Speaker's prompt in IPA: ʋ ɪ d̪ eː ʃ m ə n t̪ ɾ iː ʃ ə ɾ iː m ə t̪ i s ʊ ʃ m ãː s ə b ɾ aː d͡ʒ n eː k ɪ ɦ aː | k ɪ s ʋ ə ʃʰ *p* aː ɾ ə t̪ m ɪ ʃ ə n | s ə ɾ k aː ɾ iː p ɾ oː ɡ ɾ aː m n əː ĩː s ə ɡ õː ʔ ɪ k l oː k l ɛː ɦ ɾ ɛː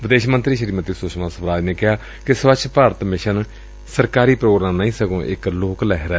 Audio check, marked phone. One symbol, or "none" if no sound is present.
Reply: p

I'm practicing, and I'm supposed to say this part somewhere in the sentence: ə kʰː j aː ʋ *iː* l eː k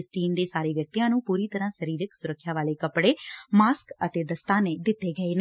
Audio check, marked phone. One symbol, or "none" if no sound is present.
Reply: aː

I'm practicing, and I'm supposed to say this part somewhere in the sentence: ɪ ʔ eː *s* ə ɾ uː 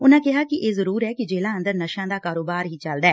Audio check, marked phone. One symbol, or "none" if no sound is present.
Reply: z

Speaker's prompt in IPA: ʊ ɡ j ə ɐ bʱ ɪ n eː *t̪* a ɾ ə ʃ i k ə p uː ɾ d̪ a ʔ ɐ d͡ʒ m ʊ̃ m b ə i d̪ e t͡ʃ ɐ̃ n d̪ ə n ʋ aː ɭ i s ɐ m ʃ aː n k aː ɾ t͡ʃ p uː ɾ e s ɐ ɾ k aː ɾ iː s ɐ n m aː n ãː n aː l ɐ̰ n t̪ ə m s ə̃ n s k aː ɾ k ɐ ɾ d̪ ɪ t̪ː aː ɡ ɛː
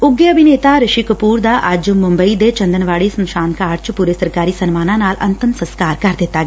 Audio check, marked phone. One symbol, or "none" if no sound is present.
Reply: t̪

